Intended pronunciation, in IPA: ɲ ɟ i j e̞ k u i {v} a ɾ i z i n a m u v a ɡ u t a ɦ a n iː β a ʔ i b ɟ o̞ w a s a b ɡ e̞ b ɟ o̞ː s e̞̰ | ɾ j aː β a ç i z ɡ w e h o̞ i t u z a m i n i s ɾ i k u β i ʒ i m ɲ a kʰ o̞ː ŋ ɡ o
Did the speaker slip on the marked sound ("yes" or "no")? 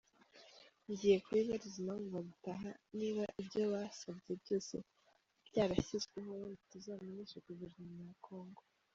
yes